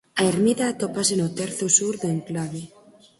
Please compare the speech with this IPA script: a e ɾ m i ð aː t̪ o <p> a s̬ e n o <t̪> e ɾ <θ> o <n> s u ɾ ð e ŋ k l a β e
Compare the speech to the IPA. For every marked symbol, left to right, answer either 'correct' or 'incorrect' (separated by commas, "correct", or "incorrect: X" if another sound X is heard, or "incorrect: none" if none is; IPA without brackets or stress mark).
correct, correct, correct, incorrect: none